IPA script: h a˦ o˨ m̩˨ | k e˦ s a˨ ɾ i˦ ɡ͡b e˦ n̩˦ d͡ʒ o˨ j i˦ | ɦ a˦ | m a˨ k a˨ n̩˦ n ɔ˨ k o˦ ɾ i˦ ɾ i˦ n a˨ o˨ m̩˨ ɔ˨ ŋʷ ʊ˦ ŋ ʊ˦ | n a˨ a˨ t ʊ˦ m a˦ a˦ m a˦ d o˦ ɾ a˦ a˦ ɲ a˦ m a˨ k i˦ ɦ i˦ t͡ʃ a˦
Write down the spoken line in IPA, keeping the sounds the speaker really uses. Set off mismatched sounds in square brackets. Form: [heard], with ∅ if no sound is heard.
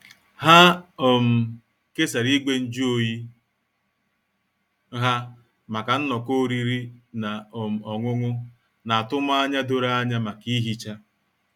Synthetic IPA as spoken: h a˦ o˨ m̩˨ | k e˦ s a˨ ɾ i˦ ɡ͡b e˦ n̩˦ d͡ʒ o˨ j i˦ | ɦ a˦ | m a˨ k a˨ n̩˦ n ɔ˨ k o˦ ɾ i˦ ɾ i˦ n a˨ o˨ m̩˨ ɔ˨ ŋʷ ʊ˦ ŋ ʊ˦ | n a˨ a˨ t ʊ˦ m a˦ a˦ [ɲ] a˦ d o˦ ɾ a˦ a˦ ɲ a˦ m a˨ k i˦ ɦ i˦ t͡ʃ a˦